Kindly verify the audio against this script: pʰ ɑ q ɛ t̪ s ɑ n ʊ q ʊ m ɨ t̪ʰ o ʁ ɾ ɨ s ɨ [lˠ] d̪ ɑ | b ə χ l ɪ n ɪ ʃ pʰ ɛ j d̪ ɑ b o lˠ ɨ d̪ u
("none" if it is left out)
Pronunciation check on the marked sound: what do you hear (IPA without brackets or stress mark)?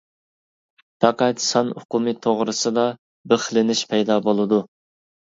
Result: none